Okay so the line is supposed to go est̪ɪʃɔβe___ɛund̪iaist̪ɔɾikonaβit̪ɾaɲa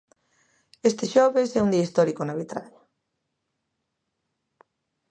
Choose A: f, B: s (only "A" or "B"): B